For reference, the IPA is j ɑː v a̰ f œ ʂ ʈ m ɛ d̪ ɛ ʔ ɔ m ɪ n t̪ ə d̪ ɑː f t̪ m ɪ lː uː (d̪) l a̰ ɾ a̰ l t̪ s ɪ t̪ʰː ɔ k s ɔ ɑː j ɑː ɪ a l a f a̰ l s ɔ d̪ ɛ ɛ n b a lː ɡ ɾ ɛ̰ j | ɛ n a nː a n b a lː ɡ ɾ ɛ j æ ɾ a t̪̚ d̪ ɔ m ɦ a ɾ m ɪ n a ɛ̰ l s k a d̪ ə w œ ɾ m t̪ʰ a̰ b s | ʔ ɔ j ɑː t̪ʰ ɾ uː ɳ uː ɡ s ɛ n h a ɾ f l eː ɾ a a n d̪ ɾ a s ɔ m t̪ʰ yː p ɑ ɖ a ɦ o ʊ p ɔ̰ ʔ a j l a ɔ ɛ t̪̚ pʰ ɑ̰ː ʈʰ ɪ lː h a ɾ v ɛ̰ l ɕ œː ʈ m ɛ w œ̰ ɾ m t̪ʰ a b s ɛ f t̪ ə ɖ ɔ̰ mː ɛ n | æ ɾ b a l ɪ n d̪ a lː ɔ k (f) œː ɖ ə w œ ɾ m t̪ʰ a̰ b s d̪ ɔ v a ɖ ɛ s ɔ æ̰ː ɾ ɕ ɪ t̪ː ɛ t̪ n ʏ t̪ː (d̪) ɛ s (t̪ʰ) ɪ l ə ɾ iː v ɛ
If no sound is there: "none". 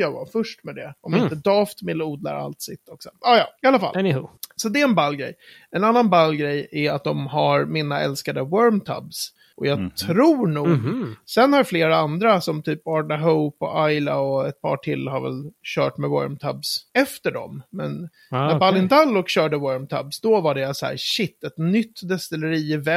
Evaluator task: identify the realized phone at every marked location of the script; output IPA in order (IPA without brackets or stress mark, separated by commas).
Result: d̪, ɕ, d̪, t̪